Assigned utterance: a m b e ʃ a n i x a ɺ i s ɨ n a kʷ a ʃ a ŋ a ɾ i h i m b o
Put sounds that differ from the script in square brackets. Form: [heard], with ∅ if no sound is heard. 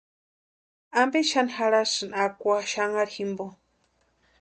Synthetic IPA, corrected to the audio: a m b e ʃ a n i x a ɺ [a] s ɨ n a kʷ a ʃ a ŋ a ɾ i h i m b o